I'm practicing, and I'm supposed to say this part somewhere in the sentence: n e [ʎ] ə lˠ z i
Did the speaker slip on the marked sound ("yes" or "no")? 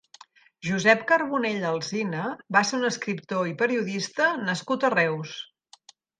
no